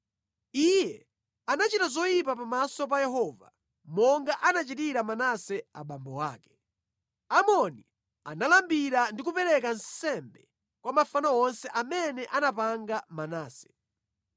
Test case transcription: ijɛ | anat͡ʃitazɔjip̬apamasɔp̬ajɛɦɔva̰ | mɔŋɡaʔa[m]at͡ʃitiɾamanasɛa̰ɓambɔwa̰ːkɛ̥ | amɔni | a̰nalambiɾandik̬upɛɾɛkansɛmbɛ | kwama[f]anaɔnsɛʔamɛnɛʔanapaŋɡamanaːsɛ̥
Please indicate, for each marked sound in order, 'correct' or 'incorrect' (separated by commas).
incorrect, correct